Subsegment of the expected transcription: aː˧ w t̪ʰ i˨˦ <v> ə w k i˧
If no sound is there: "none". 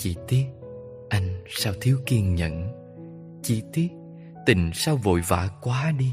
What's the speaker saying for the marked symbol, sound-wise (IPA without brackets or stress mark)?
none